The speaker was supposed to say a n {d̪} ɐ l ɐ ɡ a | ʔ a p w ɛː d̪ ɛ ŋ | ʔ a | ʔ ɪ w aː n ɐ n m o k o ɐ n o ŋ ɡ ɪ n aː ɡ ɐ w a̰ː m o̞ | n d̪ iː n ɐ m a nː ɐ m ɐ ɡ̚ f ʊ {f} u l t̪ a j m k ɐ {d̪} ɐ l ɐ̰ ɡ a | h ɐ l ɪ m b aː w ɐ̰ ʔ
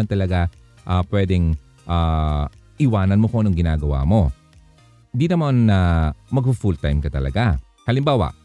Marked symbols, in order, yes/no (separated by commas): no, yes, no